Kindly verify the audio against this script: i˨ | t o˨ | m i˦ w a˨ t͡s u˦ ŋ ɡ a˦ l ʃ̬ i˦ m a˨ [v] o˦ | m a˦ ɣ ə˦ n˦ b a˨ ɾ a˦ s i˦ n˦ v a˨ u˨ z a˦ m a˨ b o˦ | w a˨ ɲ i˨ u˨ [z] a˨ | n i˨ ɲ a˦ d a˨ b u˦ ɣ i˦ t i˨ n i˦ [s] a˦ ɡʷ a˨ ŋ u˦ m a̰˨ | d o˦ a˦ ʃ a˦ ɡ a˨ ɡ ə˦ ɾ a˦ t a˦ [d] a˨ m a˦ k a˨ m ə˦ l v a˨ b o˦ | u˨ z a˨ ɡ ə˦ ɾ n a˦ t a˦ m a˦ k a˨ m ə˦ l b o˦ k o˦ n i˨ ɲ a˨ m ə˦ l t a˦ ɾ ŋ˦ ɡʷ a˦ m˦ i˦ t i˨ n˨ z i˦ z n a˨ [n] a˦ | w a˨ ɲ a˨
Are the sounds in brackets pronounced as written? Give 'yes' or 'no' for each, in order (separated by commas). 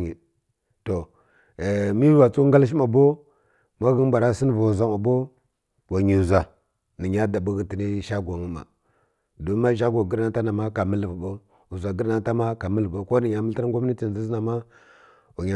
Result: no, yes, no, no, no